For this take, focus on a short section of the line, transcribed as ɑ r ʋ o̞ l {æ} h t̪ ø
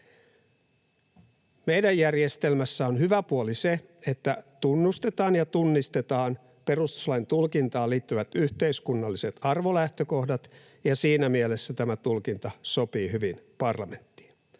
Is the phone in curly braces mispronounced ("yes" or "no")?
no